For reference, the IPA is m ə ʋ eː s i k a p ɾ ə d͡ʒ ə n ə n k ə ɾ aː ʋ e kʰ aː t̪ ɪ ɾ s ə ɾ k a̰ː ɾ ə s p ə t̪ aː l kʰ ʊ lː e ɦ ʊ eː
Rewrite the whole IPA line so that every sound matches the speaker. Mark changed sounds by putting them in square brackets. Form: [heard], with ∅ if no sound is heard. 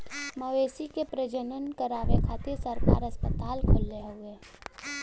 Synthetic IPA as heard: m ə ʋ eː s i k [e] p ɾ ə d͡ʒ ə n ə n k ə ɾ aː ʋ e kʰ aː t̪ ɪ ɾ s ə ɾ k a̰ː ɾ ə s p ə t̪ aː l kʰ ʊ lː e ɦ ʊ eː